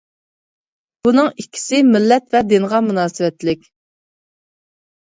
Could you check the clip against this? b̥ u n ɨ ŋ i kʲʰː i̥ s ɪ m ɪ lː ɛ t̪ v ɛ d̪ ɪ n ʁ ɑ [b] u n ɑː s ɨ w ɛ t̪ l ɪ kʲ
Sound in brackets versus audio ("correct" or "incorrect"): incorrect